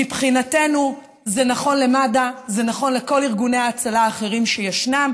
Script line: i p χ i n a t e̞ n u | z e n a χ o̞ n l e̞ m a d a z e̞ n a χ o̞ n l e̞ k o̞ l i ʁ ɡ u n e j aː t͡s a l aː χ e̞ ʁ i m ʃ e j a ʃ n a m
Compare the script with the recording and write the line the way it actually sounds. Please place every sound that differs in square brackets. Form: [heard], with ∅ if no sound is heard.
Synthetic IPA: i p χ i n a t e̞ n u | z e n a χ o̞ n l e̞ m a d a z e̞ n a χ o̞ n l e̞ k o̞ l i ʁ ɡ u n e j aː t͡s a l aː χ e̞ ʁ i m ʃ e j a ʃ n a m